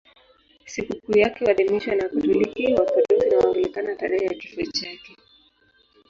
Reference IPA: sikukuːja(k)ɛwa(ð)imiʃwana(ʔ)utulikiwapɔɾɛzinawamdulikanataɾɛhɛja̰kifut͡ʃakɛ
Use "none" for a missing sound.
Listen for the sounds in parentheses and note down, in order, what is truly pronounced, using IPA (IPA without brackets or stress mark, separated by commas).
k, ð, k